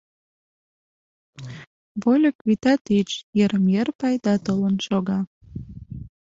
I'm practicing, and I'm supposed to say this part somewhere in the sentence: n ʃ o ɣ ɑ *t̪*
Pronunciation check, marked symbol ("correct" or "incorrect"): incorrect